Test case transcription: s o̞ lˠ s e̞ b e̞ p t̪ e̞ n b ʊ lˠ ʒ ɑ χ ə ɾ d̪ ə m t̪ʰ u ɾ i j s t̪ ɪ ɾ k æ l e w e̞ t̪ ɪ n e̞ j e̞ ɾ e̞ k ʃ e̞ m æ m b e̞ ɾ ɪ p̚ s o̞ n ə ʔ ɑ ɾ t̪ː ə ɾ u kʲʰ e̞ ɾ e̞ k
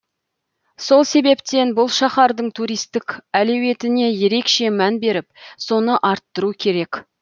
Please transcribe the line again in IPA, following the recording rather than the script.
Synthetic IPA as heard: s o̞ lˠ s e̞ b e̞ p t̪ e̞ n b ʊ lˠ ʃ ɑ χ ɑ ɾ d̪ ə ɴ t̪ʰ u ɾ i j s t̪ ɪ k æ l e w e̞ t̪ ɪ n e̞ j e̞ ɾ e̞ k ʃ e̞ m æ n b e̞ ɾ ɪ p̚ s o̞ n ə ʔ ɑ ɾ t̪ː ə ɾ u kʲʰ e̞ ɾ e̞ k